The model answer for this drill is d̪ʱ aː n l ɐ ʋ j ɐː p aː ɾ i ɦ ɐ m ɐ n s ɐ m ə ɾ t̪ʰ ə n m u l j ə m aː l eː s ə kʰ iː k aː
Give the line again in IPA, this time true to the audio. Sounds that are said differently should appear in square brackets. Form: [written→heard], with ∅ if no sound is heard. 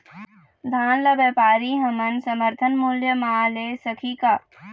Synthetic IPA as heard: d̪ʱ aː n l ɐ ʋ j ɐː p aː ɾ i ɦ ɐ m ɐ n s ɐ m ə ɾ t̪ʰ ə n m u l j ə m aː l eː s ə kʰ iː k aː